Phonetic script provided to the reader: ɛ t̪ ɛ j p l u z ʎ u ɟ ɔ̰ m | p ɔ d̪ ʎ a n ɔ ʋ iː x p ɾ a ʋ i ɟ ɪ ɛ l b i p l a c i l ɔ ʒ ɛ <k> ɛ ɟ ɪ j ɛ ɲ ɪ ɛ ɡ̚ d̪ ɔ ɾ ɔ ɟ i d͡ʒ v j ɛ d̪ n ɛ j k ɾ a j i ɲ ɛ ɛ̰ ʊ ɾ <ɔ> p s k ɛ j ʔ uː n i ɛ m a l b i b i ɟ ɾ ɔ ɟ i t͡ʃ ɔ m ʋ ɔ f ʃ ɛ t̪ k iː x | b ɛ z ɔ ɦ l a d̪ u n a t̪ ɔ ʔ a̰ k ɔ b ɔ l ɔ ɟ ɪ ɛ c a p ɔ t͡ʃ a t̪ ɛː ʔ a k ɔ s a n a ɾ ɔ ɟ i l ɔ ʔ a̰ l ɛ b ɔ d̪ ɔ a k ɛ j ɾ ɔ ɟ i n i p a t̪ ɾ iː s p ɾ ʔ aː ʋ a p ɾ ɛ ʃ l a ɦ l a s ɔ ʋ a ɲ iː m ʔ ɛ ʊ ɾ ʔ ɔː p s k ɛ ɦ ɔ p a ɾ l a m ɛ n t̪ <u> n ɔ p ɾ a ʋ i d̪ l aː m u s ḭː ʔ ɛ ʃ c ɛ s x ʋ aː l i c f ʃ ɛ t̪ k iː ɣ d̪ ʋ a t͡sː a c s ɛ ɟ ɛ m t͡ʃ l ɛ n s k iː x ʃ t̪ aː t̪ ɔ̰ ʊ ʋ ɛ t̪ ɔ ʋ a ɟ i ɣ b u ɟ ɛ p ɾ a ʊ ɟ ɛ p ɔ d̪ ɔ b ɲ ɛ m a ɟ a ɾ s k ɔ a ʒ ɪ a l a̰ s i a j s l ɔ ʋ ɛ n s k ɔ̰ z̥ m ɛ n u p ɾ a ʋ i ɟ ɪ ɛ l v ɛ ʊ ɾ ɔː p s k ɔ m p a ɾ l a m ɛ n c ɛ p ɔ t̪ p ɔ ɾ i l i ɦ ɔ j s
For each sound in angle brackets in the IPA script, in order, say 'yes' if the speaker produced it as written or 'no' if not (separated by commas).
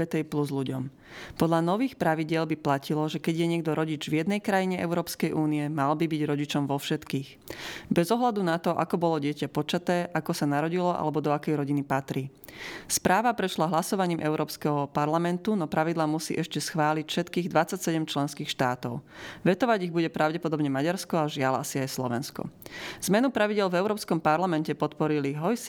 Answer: yes, no, yes